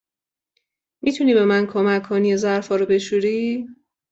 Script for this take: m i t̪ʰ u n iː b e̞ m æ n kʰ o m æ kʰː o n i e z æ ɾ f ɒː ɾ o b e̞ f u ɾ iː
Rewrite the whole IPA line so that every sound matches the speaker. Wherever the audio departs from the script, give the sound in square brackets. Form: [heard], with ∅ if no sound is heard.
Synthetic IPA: m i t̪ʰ u n iː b e̞ m æ n kʰ o m æ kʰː o n i e z æ ɾ f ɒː ɾ o b e̞ [ʃ] u ɾ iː